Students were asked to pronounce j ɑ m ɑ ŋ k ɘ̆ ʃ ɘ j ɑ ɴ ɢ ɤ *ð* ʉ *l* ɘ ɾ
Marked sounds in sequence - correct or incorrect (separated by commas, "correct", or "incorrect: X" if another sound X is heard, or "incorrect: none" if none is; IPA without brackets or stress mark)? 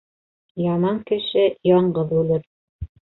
correct, correct